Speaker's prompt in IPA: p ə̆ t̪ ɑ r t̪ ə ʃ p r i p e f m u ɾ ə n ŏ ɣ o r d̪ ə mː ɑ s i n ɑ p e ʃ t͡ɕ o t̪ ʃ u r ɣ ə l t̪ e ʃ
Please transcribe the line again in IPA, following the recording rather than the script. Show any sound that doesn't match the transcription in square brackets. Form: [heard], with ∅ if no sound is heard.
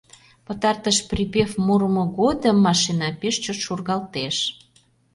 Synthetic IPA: p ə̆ t̪ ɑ r t̪ ə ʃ p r i p e f m u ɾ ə [m] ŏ ɣ o [∅] d̪ ə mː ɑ [ʃ] i n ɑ p e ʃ t͡ɕ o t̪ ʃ u r ɣ [ɑ] l t̪ e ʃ